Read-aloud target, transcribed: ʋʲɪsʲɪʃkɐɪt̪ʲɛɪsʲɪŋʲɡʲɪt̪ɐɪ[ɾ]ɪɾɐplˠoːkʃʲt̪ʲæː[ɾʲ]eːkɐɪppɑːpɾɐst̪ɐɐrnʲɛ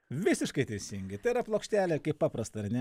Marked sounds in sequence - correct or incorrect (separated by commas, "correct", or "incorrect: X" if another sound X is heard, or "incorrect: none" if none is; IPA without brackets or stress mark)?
incorrect: none, incorrect: lʲ